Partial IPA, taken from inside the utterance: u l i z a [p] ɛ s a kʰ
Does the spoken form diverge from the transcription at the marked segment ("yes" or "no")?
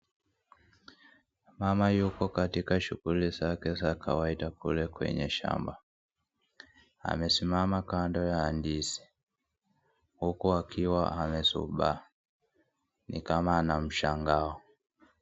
yes